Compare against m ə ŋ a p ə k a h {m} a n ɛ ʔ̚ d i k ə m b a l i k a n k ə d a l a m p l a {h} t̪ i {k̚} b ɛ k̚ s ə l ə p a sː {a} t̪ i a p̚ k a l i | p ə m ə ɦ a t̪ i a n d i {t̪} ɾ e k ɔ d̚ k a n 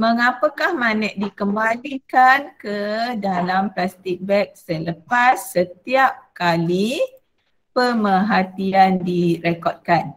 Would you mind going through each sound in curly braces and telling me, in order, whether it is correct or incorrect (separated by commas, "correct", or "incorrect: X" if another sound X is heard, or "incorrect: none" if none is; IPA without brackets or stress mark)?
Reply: correct, incorrect: s, correct, incorrect: ə, incorrect: none